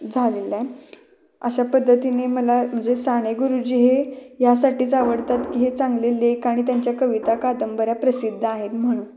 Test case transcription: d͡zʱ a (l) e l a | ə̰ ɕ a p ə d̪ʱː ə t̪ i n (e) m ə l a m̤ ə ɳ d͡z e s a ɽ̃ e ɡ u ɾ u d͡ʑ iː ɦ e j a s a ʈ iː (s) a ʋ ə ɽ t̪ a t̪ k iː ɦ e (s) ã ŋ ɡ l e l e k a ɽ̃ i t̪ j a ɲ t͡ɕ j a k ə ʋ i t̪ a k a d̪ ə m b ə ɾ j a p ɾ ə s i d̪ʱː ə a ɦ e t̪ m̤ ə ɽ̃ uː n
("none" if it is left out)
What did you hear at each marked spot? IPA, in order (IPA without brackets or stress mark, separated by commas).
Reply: l, e, t͡s, t͡s